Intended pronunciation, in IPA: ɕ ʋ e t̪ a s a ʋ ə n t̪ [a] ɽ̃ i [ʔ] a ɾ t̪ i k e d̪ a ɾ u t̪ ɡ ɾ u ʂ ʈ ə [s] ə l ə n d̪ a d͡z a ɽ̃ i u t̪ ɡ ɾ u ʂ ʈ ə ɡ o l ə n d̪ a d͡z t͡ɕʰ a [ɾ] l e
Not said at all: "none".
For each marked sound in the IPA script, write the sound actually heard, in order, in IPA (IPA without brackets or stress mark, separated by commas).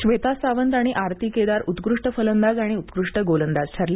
a, ʔ, f, ɾ